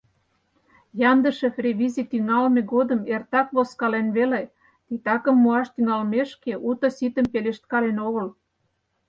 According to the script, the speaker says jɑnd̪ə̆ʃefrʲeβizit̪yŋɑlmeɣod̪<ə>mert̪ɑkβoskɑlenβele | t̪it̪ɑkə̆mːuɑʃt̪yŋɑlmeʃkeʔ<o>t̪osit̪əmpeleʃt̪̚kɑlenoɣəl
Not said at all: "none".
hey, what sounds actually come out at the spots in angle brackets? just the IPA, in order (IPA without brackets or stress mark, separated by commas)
ə, u